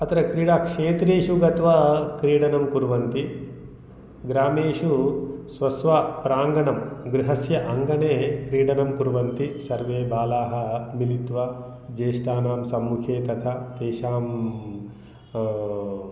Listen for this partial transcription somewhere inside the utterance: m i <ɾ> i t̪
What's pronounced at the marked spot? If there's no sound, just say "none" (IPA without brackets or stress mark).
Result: l